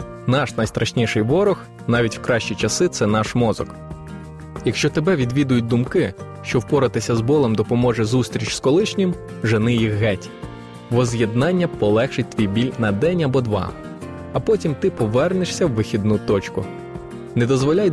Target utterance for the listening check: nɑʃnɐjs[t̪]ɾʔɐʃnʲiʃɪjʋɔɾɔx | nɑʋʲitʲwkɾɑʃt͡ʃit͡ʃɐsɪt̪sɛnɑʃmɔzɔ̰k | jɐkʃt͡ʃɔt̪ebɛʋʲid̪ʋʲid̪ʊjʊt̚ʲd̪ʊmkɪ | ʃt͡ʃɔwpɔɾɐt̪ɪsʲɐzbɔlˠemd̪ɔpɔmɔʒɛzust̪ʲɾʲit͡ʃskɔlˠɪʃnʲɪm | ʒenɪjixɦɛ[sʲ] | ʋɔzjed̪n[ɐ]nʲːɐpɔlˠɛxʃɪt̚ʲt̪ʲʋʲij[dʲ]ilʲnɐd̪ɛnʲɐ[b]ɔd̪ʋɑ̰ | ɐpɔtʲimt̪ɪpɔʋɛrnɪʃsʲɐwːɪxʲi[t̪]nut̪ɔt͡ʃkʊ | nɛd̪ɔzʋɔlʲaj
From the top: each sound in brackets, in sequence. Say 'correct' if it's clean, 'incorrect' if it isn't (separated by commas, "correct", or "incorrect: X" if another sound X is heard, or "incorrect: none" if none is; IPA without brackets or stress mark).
correct, incorrect: tʲ, incorrect: ɑ, incorrect: bʲ, correct, incorrect: d̪